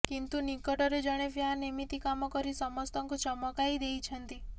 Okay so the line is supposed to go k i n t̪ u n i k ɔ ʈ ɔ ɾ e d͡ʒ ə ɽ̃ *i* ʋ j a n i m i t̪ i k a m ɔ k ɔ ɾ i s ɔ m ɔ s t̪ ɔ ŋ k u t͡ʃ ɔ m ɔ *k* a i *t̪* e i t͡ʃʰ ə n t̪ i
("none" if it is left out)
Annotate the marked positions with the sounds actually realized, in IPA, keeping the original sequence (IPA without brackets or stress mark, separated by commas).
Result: e, k, d̪